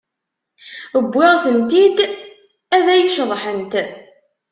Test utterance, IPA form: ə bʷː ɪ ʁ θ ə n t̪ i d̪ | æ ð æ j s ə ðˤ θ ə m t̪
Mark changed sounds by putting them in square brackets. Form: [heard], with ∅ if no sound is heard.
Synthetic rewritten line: ə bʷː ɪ ʁ θ ə n t̪ i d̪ | æ ð æ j [ʃ] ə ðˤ [ħ] ə [n] t̪